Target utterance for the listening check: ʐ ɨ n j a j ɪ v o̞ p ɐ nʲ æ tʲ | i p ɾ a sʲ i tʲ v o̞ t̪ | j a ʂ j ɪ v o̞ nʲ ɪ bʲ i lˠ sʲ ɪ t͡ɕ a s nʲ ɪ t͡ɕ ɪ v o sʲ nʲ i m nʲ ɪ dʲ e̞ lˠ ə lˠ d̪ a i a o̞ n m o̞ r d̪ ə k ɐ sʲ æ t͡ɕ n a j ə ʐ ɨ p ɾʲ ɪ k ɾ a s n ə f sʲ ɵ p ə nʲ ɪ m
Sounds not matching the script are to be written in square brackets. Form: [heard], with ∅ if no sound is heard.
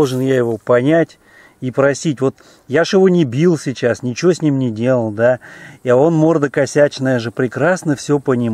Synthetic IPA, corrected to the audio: ʐ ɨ n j a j ɪ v o̞ p ɐ nʲ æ tʲ | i p ɾ [ɐ] sʲ i tʲ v o̞ t̪ | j a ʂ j ɪ v o̞ nʲ ɪ bʲ i lˠ sʲ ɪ t͡ɕ a s nʲ ɪ t͡ɕ ɪ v o sʲ nʲ i m nʲ ɪ dʲ e̞ lˠ ə lˠ d̪ a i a o̞ n m o̞ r d̪ ə k ɐ sʲ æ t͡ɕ n [ə] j ə ʐ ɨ p ɾʲ ɪ k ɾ a s n ə f sʲ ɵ p ə nʲ ɪ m